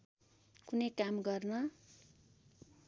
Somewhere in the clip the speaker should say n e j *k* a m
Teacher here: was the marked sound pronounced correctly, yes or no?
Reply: yes